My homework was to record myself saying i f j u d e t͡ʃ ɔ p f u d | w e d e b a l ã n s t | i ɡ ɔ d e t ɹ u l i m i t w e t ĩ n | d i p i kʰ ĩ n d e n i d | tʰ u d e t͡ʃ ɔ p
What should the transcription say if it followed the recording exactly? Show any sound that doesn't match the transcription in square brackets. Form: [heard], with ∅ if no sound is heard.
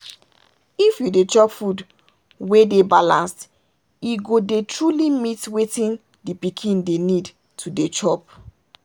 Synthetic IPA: i f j u d e t͡ʃ ɔ p f u d | w e d e b a l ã n s t | i ɡ [o] d e t ɹ u l i m i t w e t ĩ n | d i p i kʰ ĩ n d e n i d | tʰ u d e t͡ʃ ɔ p